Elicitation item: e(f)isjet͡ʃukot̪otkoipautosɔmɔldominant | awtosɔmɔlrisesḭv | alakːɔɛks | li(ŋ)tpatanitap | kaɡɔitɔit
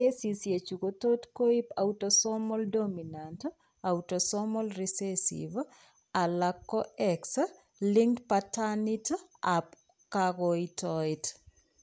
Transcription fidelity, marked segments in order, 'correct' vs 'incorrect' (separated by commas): incorrect, correct